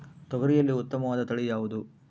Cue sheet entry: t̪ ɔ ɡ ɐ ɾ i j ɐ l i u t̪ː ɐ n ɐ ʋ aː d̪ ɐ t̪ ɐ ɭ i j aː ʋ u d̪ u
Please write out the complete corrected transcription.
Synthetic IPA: t̪ ɔ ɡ ɐ ɾ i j ɐ lː i u t̪ː ɐ m ɐ ʋ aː d̪ ɐ t̪ ɐ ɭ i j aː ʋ u d̪ u